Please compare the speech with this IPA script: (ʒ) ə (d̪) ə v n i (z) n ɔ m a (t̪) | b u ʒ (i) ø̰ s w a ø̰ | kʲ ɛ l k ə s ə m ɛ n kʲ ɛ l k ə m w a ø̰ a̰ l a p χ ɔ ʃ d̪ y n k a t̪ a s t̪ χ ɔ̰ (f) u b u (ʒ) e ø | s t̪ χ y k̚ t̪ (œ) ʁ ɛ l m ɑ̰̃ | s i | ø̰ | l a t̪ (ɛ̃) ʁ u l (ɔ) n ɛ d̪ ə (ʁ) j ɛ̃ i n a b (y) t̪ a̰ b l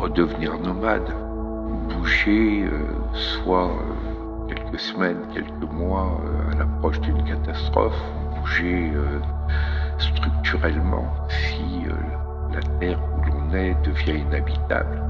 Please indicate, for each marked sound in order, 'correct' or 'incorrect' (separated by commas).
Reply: incorrect, correct, incorrect, incorrect, incorrect, correct, correct, incorrect, incorrect, incorrect, incorrect, incorrect